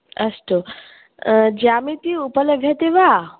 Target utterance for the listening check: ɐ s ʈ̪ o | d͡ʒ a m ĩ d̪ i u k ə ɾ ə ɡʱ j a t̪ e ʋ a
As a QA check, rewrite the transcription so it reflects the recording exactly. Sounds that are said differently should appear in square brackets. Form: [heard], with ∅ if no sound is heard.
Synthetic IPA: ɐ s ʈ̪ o | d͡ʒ a m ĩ [t̪] i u [p] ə [l] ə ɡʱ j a t̪ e ʋ a